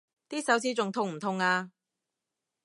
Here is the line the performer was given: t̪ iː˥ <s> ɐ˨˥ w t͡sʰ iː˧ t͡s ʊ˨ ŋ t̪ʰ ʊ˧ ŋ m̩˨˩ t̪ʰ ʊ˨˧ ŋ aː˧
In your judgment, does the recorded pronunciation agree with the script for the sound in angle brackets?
yes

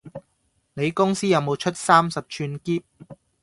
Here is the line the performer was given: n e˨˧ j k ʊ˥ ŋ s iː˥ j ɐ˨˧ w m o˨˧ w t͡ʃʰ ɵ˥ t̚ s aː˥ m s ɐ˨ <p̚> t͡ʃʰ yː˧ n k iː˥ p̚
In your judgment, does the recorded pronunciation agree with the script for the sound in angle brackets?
yes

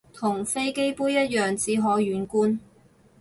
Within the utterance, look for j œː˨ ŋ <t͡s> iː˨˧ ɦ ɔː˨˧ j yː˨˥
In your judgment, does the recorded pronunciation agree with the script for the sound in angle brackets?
yes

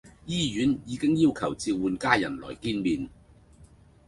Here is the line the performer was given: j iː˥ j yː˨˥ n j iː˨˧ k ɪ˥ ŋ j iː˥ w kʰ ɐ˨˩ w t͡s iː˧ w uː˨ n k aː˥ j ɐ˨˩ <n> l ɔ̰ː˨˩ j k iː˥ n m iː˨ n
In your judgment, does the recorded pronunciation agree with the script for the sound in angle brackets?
yes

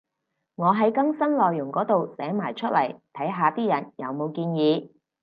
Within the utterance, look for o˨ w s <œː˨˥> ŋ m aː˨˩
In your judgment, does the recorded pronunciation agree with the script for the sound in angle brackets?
no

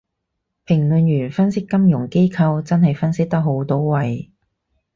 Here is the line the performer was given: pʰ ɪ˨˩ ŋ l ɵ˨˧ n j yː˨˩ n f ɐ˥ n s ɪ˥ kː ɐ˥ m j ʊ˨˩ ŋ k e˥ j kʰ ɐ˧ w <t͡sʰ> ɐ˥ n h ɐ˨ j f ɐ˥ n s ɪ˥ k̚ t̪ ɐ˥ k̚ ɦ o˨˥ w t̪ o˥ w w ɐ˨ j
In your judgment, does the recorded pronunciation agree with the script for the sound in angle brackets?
no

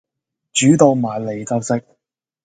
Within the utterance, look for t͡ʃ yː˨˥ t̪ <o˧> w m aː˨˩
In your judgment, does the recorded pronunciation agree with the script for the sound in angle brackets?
yes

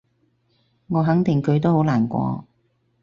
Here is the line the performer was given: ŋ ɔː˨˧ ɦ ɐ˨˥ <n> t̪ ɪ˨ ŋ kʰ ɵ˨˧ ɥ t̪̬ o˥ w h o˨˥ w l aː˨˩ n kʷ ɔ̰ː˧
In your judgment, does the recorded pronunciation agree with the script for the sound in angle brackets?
no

